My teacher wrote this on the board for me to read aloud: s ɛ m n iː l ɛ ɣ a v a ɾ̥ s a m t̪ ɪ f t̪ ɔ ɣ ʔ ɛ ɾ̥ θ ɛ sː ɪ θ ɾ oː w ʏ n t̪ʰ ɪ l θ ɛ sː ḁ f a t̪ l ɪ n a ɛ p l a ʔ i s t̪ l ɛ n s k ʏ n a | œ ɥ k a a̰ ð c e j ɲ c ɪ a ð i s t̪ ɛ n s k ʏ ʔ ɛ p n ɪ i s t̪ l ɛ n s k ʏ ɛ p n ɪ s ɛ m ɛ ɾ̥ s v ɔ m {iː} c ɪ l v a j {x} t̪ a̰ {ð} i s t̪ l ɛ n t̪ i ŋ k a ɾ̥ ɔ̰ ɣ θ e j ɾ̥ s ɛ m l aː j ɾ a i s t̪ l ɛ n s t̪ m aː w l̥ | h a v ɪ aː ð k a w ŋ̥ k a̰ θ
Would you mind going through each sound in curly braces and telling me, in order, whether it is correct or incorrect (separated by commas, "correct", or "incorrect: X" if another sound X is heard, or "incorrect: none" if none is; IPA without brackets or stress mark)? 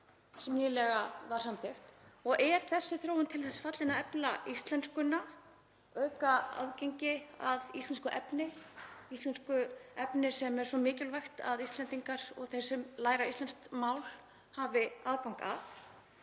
incorrect: ɪː, correct, correct